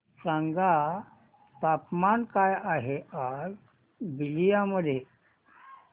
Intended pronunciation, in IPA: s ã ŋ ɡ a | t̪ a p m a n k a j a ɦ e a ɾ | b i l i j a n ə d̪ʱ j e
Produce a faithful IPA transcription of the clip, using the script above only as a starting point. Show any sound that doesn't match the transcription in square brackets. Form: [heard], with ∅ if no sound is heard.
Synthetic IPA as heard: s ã ŋ ɡ a | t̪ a p m a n k a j a ɦ e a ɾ | b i l i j a [m] ə d̪ʱ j e